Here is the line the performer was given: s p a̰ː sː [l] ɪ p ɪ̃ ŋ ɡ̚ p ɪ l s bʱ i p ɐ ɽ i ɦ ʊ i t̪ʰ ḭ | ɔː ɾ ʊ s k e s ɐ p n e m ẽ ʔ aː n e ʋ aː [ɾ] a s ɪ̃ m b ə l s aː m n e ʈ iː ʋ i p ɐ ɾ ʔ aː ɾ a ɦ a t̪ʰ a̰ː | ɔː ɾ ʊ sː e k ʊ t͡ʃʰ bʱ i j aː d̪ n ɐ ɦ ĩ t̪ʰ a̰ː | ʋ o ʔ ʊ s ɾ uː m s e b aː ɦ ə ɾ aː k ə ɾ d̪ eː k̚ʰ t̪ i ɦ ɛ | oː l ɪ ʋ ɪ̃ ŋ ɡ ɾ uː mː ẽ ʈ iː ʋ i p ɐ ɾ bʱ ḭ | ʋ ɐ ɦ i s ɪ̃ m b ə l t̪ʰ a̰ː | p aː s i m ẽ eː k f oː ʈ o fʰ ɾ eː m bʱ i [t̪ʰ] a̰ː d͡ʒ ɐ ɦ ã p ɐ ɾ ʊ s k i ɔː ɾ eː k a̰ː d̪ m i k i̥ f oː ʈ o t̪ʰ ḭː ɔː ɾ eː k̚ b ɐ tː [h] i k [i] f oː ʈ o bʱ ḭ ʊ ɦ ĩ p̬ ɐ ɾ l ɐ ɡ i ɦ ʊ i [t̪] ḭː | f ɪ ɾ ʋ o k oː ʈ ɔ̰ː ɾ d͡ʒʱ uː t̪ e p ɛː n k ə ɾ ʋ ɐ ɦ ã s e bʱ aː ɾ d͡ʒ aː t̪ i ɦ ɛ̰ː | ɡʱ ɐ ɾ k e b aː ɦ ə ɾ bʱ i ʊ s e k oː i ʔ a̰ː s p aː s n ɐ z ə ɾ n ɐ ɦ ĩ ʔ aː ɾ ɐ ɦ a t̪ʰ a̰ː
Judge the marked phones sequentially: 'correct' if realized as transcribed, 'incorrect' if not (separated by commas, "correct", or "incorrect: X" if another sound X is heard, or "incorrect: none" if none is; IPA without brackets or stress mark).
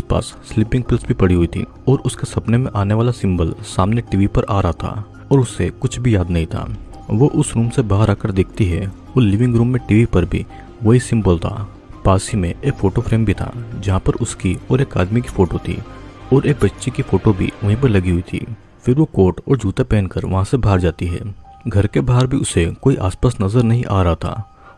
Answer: correct, incorrect: l, correct, incorrect: ʃ, correct, incorrect: t̪ʰ